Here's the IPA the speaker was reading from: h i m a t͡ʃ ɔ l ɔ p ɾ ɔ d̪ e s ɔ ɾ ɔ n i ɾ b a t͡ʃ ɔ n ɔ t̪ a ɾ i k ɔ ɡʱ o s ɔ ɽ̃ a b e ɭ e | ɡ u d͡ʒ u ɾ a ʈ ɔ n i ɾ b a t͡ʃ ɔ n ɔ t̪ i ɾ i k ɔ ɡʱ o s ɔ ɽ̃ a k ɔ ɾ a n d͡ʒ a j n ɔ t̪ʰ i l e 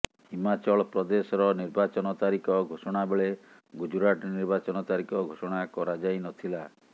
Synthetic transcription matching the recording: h i m a t͡ʃ ɔ ɭ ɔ p ɾ ɔ d̪ e s ɔ ɾ ɔ n i ɾ b a t͡ʃ ɔ n ɔ t̪ a ɾ i k ɔ ɡʱ o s ɔ ɽ̃ a b e ɭ e | ɡ u d͡ʒ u ɾ a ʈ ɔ n i ɾ b a t͡ʃ ɔ n ɔ t̪ a ɾ i k ɔ ɡʱ o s ɔ ɽ̃ a k ɔ ɾ a d͡ʒ a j n ɔ t̪ʰ i l a